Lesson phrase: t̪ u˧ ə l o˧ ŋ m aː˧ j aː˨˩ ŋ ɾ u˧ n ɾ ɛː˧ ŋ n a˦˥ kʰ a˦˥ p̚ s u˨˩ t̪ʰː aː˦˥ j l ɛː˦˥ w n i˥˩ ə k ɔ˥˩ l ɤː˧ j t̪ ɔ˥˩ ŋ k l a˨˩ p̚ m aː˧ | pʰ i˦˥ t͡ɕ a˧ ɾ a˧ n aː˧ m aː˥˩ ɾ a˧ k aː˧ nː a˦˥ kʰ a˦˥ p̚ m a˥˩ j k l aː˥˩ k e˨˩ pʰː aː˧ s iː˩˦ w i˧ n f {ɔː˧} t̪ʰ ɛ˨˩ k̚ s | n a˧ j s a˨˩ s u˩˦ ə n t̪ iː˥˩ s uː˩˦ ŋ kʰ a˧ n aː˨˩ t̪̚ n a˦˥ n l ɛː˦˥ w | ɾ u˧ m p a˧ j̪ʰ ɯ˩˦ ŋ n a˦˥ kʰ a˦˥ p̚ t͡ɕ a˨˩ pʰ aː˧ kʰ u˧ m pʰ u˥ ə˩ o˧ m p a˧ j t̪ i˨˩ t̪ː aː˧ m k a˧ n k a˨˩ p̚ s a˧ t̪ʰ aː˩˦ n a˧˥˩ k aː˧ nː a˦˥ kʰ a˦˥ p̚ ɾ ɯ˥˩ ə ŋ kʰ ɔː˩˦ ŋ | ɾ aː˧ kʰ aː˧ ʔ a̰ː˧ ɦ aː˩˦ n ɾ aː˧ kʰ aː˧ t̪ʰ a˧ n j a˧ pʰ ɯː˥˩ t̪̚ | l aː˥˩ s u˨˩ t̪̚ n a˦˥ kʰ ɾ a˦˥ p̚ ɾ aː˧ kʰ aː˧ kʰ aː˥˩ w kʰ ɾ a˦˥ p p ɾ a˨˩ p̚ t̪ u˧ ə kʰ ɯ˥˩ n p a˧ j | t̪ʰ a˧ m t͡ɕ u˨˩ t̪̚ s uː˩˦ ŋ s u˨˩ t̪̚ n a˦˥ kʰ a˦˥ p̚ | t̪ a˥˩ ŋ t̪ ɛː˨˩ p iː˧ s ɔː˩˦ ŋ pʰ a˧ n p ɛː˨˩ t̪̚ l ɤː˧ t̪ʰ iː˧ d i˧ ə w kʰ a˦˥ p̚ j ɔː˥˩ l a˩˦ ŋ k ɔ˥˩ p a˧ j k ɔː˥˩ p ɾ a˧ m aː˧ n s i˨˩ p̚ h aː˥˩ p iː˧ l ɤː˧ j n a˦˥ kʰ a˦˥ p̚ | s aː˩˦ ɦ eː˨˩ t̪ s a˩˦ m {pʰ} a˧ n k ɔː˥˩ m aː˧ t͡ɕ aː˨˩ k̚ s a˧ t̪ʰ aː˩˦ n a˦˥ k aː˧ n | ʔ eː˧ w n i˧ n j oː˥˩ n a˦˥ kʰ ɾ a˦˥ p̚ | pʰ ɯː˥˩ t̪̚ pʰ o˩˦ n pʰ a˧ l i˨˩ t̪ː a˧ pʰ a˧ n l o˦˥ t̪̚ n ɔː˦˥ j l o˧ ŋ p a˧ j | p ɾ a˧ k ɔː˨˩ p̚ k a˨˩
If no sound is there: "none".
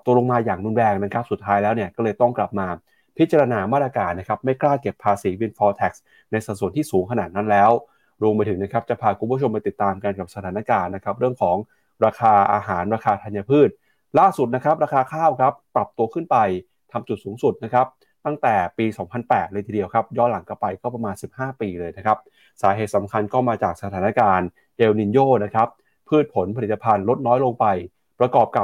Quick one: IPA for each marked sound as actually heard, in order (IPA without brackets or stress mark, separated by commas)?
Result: ɔː˧, kʰ